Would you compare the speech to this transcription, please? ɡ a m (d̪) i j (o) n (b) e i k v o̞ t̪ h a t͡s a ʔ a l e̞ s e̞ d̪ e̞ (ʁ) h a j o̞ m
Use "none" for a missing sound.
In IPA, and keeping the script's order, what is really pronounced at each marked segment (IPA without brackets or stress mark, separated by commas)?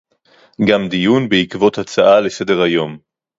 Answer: d̪, u, b, ʁ